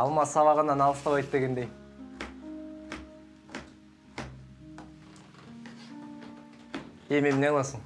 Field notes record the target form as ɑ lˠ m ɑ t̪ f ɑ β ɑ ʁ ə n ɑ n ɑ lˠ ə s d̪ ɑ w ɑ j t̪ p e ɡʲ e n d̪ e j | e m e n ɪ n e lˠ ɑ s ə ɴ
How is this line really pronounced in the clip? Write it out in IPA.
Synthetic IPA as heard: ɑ lˠ m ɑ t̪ s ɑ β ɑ ʁ ə n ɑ n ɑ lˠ ə s t̪ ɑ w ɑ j t̪ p e ɡʲ e n d̪ e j | e m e m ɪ n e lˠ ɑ s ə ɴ